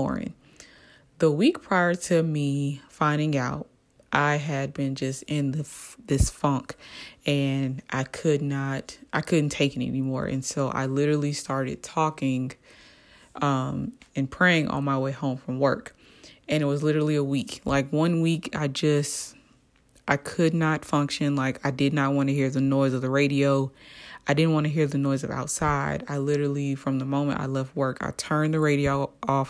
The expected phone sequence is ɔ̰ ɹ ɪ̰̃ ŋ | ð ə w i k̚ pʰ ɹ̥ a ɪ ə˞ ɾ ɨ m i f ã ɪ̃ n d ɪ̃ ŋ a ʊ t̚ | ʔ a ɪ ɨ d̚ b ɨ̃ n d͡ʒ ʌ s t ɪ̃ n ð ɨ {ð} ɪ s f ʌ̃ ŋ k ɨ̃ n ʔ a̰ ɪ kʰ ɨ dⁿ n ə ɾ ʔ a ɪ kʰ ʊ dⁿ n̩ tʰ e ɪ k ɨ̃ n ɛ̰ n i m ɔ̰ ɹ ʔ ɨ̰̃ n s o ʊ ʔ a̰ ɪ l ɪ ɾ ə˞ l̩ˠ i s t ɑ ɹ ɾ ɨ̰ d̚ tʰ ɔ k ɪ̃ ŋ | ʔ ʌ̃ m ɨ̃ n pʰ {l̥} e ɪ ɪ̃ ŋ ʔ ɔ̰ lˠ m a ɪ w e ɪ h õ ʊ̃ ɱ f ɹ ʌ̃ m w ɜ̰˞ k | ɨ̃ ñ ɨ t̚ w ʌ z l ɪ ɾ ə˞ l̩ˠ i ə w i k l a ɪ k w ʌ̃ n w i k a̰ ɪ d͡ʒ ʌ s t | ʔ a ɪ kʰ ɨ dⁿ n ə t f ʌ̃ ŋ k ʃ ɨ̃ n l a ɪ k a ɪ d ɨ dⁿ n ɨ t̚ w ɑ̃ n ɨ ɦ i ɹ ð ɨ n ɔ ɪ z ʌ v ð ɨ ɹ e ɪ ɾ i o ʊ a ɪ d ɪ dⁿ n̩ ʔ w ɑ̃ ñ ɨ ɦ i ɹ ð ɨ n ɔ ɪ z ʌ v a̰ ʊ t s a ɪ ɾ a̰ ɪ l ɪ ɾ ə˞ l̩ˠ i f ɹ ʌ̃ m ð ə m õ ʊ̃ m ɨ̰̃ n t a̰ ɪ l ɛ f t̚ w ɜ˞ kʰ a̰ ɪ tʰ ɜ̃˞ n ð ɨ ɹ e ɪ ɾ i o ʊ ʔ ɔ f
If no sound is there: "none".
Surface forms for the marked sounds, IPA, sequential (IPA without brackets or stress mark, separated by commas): ð, ɹ̥